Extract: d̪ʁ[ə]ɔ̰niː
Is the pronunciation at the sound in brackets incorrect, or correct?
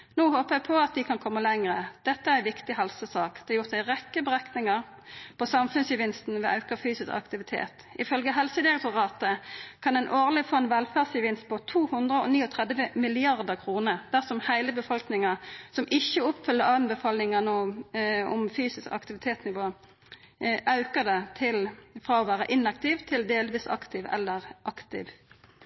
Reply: correct